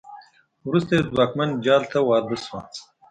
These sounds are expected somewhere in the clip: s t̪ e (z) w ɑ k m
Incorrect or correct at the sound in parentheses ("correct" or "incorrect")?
correct